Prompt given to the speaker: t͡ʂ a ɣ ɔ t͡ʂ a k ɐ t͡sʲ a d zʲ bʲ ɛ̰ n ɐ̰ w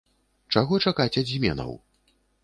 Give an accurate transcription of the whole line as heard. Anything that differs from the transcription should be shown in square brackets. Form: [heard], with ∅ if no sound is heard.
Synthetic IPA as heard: t͡ʂ a ɣ ɔ t͡ʂ a k [a] t͡sʲ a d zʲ [mʲ] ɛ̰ n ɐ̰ w

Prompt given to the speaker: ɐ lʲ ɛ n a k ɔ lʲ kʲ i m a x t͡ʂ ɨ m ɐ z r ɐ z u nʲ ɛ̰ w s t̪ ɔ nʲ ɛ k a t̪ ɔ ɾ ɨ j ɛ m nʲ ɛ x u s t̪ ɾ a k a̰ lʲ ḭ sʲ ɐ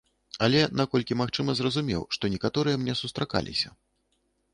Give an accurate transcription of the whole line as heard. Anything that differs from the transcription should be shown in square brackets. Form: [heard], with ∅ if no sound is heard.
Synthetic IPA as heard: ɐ lʲ ɛ n a k ɔ lʲ kʲ i m a x t͡ʂ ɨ m ɐ z r ɐ z u [mʲ] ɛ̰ w [ʂ] t̪ ɔ nʲ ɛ k a t̪ ɔ ɾ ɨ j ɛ m nʲ ɛ [s] u s t̪ ɾ a k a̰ lʲ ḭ sʲ ɐ

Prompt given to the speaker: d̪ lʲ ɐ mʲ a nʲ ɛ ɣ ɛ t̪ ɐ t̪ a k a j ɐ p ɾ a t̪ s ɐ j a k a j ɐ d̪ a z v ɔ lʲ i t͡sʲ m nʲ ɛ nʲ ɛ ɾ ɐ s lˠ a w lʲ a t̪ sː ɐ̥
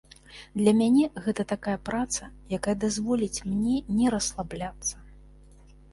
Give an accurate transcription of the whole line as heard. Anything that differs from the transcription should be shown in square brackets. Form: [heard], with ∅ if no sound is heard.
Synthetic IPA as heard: d̪ lʲ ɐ mʲ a nʲ ɛ ɣ ɛ t̪ ɐ t̪ a k a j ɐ p ɾ a t̪ s ɐ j a k a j ɐ d̪ a z v ɔ lʲ i t͡sʲ m nʲ ɛ nʲ ɛ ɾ ɐ s lˠ a [b] lʲ a t̪ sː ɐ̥

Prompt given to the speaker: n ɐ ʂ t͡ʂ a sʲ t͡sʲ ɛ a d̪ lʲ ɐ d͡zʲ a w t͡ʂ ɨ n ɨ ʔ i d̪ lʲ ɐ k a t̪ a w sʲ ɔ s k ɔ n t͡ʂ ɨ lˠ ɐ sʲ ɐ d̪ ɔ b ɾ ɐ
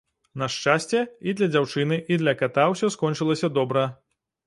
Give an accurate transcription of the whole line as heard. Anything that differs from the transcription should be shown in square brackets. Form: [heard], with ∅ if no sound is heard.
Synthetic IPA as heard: n ɐ ʂ t͡ʂ a sʲ t͡sʲ ɛ [i] d̪ lʲ ɐ d͡zʲ a w t͡ʂ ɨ n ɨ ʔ i d̪ lʲ ɐ k a t̪ a w sʲ ɔ s k ɔ n t͡ʂ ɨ lˠ ɐ sʲ ɐ d̪ ɔ b ɾ ɐ

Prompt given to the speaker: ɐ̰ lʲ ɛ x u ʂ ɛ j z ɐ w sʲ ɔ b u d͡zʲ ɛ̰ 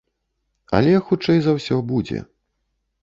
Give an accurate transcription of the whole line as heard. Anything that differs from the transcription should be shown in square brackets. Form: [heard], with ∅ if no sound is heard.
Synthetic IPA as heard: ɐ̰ lʲ ɛ x u [t͡ʂ] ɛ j z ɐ w sʲ ɔ b u d͡zʲ ɛ̰

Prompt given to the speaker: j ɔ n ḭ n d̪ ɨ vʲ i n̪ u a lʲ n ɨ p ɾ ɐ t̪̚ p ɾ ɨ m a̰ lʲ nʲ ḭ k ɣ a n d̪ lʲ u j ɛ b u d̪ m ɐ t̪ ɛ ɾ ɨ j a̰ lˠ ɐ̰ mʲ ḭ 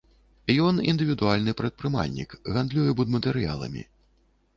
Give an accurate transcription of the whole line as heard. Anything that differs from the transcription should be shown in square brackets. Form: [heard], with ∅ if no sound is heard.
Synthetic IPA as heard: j ɔ n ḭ n d̪ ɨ vʲ i [d̪] u a lʲ n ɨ p ɾ ɐ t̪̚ p ɾ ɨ m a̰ lʲ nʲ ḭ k ɣ a n d̪ lʲ u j ɛ b u d̪ m ɐ t̪ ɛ ɾ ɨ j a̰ lˠ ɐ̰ mʲ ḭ

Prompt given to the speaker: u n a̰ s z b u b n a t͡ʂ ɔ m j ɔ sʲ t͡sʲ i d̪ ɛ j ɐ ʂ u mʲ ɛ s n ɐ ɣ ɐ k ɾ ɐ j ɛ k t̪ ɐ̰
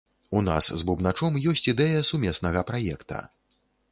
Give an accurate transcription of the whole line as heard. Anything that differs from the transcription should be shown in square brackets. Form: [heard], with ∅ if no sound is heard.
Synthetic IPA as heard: u n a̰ s z b u b n a t͡ʂ ɔ m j ɔ sʲ t͡sʲ i d̪ ɛ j ɐ [s] u mʲ ɛ s n ɐ ɣ ɐ [p] ɾ [a] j ɛ k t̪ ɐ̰

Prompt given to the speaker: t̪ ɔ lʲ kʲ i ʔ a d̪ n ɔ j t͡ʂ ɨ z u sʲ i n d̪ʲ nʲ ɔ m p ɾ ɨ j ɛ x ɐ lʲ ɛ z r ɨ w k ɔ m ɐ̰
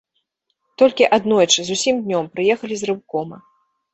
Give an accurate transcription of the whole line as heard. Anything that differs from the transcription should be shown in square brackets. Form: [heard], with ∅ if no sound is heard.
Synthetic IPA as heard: t̪ ɔ lʲ kʲ i ʔ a d̪ n ɔ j t͡ʂ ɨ z u sʲ i [m] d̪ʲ nʲ ɔ m p ɾ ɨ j ɛ x ɐ lʲ [i] z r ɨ w k ɔ m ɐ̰

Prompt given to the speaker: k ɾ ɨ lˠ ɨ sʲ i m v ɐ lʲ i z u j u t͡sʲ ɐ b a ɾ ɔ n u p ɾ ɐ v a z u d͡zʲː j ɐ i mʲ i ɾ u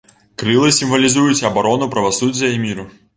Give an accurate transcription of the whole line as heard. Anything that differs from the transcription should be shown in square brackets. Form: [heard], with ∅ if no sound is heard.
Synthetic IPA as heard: k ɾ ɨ lˠ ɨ sʲ i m v ɐ lʲ i z u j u t͡sʲ ɐ b a ɾ ɔ n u p ɾ ɐ v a [s] u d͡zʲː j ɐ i mʲ i ɾ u

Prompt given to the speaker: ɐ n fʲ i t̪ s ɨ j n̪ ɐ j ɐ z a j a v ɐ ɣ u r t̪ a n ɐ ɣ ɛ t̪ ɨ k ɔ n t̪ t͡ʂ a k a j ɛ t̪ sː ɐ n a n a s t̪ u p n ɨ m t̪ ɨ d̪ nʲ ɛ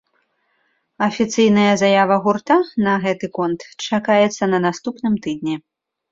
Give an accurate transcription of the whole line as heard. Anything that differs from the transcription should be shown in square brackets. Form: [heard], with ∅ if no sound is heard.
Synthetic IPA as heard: ɐ [∅] fʲ i t̪ s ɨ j n̪ ɐ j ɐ z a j a v ɐ ɣ u r t̪ a n ɐ ɣ ɛ t̪ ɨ k ɔ n t̪ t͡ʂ a k a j ɛ t̪ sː ɐ n [ɐ] n a s t̪ u p n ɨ m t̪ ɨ d̪ nʲ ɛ

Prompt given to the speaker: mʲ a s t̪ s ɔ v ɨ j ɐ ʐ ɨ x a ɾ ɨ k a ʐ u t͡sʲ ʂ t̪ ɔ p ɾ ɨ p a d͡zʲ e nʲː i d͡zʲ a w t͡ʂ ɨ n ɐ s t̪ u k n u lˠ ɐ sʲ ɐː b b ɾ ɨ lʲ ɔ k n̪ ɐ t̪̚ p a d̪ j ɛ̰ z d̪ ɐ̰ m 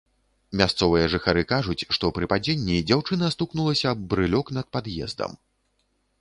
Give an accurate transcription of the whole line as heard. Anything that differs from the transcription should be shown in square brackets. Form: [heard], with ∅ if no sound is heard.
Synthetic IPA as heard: mʲ a s t̪ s ɔ v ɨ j ɐ ʐ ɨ x a ɾ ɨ k a ʐ u t͡sʲ ʂ t̪ ɔ p ɾ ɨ p a d͡zʲ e nʲː i d͡zʲ a w t͡ʂ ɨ n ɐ s t̪ u k n u lˠ ɐ sʲ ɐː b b ɾ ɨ lʲ ɔ k n̪ ɐ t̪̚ p a d̪ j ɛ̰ z d̪ ɐ̰ m

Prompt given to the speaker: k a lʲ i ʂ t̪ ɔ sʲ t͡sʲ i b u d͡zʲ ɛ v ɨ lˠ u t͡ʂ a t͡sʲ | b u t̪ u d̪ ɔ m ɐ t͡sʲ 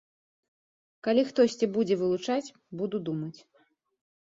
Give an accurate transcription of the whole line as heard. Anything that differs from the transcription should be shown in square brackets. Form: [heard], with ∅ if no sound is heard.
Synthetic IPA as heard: k a lʲ i [x] t̪ ɔ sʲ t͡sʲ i b u d͡zʲ ɛ v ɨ lˠ u t͡ʂ a t͡sʲ | b u [d̪] u d̪ [u] m ɐ t͡sʲ

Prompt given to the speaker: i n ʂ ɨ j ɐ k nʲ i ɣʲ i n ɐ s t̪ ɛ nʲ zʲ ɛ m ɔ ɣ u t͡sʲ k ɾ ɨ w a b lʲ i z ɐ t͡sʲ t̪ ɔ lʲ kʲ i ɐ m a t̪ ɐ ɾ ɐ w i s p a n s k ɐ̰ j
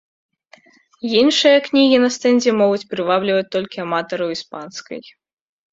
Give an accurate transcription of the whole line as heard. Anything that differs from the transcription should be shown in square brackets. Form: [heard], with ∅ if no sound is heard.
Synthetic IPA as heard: i n ʂ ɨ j ɐ k nʲ i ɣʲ i n ɐ s t̪ ɛ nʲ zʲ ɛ m ɔ ɣ u t͡sʲ [p] ɾ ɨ [v] a b lʲ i [v] ɐ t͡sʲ t̪ ɔ lʲ kʲ i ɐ m a t̪ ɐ ɾ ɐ w i s p a n s k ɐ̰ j

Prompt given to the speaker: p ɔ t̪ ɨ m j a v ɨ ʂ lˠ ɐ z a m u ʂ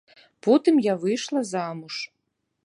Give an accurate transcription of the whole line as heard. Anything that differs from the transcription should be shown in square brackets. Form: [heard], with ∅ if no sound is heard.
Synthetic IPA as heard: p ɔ t̪ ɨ m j a v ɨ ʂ lˠ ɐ z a m u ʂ

